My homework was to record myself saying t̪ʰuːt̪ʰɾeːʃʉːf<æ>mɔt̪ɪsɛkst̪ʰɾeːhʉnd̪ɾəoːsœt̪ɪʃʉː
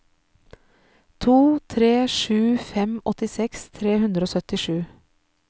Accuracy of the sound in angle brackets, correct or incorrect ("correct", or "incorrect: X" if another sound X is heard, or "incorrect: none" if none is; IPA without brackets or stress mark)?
incorrect: ɛ